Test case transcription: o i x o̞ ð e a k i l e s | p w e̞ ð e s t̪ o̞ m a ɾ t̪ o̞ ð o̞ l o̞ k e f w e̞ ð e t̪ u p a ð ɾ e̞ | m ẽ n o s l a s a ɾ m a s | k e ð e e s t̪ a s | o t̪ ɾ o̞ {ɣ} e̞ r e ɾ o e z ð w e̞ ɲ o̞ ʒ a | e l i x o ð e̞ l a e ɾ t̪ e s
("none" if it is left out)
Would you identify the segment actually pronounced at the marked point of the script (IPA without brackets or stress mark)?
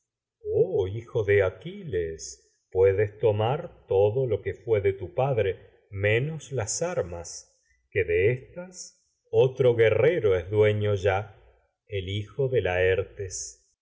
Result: ɣ